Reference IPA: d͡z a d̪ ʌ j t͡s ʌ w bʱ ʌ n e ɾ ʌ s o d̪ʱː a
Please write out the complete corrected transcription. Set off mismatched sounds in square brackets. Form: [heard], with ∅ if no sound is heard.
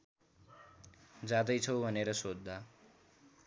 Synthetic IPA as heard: d͡z a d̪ ʌ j [t͡sʰ] ʌ w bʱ ʌ n e ɾ ʌ s o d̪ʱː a